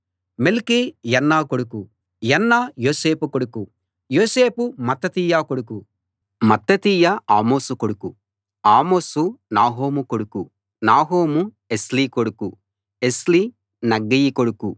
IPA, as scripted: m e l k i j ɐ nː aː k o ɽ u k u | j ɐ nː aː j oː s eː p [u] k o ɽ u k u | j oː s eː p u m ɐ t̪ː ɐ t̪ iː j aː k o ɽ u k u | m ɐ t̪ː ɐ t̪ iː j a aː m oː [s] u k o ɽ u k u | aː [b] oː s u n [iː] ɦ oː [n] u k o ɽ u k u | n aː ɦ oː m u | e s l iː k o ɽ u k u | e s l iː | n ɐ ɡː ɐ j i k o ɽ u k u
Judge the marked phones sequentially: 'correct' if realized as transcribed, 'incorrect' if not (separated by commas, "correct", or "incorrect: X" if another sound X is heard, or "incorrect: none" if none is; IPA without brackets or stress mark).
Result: correct, correct, incorrect: m, incorrect: aː, incorrect: m